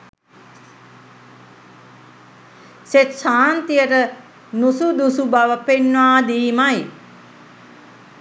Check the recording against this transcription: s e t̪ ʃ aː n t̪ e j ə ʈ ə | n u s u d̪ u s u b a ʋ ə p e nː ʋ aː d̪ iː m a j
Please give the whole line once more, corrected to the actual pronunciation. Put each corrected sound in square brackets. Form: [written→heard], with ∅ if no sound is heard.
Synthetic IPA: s e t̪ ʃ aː n t̪ [e→i] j ə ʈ ə | n u s u d̪ u s u b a ʋ ə p e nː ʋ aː d̪ iː m a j